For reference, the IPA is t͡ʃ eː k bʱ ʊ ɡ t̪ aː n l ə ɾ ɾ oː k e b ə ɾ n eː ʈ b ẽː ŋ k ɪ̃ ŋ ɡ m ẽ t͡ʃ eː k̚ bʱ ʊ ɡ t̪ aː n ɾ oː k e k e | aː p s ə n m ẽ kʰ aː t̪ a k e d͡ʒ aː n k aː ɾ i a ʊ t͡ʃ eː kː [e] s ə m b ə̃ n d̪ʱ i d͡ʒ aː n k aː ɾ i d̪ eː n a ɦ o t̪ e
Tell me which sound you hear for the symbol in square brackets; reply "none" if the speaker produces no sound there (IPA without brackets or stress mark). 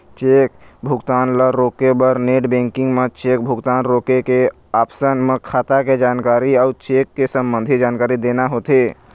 e